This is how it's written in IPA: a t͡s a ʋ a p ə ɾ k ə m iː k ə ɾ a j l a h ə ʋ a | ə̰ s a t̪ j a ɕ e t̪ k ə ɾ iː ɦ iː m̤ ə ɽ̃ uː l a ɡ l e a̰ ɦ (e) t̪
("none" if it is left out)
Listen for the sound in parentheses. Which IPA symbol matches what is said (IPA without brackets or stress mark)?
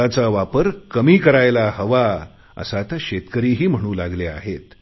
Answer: e